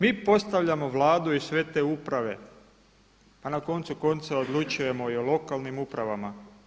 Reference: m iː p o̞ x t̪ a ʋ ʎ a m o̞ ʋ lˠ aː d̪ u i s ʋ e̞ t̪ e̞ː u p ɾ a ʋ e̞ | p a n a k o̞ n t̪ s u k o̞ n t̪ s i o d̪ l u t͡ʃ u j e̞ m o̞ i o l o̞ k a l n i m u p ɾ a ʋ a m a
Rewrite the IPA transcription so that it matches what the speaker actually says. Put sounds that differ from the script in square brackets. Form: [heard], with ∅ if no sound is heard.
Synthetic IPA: m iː p o̞ [s] t̪ a ʋ ʎ a m o̞ ʋ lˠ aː d̪ u i s ʋ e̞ t̪ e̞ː u p ɾ a ʋ e̞ | p a n a k o̞ n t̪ s u k o̞ n t̪ s [a] o d̪ l u t͡ʃ u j e̞ m o̞ i o l o̞ k a l n i m u p ɾ a ʋ a m a